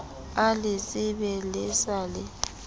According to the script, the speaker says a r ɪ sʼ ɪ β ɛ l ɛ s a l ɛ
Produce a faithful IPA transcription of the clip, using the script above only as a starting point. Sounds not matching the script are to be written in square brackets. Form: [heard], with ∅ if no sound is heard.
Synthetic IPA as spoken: a [l] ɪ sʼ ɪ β ɛ l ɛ s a l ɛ